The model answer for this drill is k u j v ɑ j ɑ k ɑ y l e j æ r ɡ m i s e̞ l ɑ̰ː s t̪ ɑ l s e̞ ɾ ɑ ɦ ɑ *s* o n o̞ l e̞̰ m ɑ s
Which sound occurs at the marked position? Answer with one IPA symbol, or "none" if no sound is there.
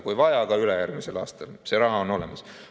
none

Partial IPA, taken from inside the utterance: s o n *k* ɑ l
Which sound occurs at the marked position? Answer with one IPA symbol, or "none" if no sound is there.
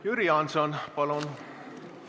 p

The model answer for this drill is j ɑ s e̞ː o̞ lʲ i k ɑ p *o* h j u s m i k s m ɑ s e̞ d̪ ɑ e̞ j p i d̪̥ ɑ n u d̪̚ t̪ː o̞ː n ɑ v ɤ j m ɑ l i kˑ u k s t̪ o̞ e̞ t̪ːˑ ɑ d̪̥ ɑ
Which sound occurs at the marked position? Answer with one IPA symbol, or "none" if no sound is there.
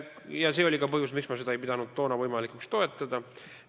ɤ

